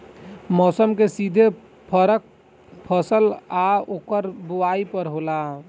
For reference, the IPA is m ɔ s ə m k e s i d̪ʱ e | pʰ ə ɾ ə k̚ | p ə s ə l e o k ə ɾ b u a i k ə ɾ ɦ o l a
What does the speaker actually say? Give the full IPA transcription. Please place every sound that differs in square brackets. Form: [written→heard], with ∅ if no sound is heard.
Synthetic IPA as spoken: m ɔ s ə m k e s i d̪ʱ e | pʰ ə ɾ ə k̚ | [p→pʰ] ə s ə l [e→a] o k ə ɾ b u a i [k→p] ə ɾ ɦ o l a